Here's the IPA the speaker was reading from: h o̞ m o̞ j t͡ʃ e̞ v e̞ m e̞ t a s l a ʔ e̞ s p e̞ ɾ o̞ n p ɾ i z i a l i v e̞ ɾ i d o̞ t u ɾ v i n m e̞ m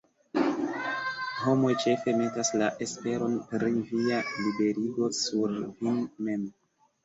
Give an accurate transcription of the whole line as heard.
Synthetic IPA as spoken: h o̞ m o̞ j t͡ʃ e̞ f e̞ m e̞ t a s l a ʔ e̞ s p e̞ ɾ o̞ n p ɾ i v i a l i b e̞ ɾ i ɡ o̞ s u ɾ v i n m e̞ m